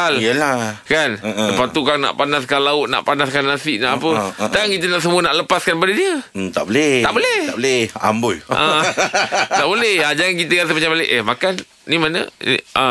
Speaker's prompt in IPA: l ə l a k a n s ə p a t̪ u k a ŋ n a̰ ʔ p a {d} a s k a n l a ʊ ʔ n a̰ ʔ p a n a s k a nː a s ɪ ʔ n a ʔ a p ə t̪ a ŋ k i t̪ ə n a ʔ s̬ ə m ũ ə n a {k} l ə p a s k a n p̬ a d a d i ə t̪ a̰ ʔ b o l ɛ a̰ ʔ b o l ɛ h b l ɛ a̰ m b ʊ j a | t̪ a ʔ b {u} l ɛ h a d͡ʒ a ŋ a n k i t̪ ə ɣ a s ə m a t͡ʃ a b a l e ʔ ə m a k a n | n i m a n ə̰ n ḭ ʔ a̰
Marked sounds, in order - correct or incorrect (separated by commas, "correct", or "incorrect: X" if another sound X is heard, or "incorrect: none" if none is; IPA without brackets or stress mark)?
incorrect: n, incorrect: ʔ, incorrect: o